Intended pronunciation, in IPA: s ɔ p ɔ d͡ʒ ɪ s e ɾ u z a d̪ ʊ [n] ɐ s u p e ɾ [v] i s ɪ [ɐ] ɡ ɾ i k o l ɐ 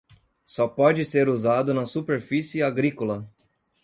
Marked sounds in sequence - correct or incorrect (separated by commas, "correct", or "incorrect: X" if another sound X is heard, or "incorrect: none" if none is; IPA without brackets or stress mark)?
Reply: correct, incorrect: f, incorrect: a